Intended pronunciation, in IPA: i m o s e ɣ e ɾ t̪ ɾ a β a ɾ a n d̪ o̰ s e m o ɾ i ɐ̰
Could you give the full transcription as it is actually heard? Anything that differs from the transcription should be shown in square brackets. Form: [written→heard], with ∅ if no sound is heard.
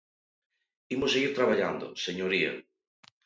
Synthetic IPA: i m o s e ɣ [e→i] ɾ t̪ ɾ a β a [ɾ→ʎ] a n d̪ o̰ s e [m→ɲ] o ɾ i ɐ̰